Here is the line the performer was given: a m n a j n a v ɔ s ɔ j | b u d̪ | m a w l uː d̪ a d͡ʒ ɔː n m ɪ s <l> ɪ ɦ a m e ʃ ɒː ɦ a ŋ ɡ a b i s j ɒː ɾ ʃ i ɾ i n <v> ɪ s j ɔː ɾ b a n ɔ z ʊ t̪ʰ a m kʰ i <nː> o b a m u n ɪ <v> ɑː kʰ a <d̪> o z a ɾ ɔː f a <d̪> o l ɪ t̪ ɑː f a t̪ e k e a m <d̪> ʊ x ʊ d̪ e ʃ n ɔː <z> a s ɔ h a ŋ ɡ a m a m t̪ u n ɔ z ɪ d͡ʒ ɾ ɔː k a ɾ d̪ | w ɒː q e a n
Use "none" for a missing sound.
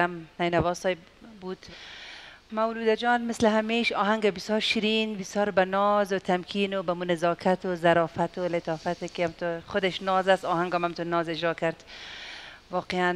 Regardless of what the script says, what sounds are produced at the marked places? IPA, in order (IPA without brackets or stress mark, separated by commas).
l, b, n, z, t̪, t̪, t̪, z